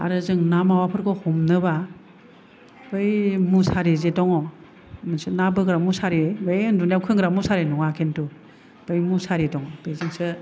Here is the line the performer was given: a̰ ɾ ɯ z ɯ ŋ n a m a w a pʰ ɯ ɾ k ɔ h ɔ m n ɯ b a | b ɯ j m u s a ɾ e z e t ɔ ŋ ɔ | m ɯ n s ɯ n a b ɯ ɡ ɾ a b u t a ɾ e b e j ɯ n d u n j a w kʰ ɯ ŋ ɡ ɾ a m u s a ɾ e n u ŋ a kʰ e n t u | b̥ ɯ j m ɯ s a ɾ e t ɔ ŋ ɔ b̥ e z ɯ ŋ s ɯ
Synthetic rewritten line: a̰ ɾ ɯ z ɯ ŋ n a m a w a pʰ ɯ ɾ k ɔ h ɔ m n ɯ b a | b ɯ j m u s a ɾ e z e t ɔ ŋ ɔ | m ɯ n s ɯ n a b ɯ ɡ ɾ a m u s a ɾ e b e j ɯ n d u n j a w kʰ ɯ ŋ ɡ ɾ a m u s a ɾ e n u ŋ a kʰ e n t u | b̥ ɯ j m u s a ɾ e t ɔ ŋ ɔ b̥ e z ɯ ŋ s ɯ